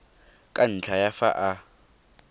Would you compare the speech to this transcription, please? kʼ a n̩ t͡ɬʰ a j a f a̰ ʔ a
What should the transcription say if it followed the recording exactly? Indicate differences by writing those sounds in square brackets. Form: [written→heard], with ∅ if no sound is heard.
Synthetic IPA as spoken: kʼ a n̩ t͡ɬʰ a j a f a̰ ʔ a